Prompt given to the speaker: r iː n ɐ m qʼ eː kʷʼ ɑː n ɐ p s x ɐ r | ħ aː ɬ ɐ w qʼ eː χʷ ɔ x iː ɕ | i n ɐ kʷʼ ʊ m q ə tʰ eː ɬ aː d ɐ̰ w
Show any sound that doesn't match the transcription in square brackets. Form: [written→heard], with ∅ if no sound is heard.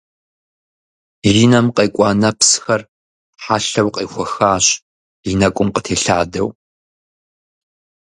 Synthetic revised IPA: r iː n ɐ m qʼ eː kʷʼ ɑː n ɐ p s x ɐ r | ħ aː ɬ ɐ w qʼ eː [χʷ→xʷ] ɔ x [iː→aː] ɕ | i n ɐ kʷʼ ʊ m q ə tʰ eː ɬ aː d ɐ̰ w